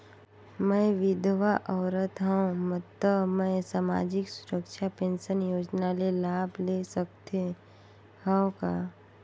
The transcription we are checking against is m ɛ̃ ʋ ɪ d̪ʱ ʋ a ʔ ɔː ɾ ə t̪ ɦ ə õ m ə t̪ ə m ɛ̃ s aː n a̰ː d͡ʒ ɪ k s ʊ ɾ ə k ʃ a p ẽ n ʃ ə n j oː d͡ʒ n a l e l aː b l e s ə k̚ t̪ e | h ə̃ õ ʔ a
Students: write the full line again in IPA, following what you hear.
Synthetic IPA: m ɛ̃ ʋ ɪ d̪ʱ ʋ a ʔ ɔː ɾ ə t̪ ɦ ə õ m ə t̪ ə m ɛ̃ s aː m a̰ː d͡ʒ ɪ k s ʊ ɾ ə k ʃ a p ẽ n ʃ ə n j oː d͡ʒ n a l e l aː b l e s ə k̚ t̪ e | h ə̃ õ k a